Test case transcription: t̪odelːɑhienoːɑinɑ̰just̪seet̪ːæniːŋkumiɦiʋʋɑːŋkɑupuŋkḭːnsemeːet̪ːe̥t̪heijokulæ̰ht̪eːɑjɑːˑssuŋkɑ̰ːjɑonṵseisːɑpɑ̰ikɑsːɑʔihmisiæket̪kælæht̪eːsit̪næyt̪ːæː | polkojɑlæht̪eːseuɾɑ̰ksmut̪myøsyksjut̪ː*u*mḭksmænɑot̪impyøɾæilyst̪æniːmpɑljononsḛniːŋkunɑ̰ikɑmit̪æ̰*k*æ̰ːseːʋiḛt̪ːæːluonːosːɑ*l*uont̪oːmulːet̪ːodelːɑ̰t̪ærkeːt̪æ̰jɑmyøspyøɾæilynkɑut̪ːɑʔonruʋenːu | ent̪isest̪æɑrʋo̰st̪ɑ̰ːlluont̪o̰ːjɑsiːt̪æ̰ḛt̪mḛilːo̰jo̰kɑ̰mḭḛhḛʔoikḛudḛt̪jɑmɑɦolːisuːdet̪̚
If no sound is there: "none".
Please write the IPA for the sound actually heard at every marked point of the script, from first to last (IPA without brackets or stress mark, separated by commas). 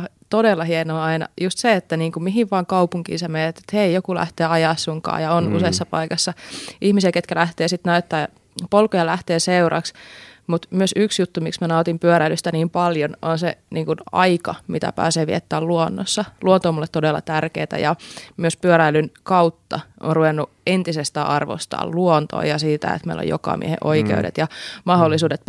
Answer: u, p, l